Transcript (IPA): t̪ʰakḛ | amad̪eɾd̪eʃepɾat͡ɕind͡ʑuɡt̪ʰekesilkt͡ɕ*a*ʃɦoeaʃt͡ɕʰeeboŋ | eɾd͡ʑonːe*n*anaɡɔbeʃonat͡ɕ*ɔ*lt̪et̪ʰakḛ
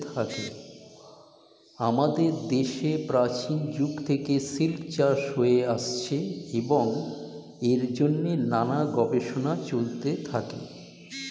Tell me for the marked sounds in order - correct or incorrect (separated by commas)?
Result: correct, correct, incorrect